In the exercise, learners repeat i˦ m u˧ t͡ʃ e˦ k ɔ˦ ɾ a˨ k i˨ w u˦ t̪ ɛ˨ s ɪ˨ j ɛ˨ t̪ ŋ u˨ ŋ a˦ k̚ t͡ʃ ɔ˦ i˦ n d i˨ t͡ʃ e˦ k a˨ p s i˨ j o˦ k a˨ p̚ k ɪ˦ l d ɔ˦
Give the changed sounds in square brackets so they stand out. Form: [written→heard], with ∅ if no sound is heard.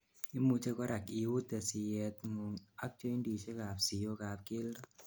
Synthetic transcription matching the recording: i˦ m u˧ t͡ʃ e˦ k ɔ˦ ɾ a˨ k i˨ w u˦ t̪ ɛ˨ s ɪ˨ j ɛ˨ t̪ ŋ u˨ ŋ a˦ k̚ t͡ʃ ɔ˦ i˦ n d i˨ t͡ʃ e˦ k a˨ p s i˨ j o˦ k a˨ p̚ k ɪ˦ l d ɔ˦